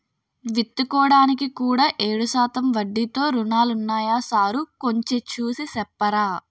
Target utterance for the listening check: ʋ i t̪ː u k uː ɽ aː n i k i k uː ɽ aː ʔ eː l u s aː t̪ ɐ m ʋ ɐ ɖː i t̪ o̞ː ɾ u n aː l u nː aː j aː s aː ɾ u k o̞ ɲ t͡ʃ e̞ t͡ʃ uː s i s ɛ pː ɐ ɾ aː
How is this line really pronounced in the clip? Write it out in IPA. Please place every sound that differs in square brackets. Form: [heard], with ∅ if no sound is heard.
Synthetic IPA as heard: ʋ i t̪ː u k [ɔː] ɽ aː n i k i k uː ɽ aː ʔ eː [ɽ] u s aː t̪ ɐ m ʋ ɐ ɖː i t̪ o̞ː ɾ u n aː l u nː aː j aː s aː ɾ u k o̞ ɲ t͡ʃ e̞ t͡ʃ uː s i s ɛ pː ɐ ɾ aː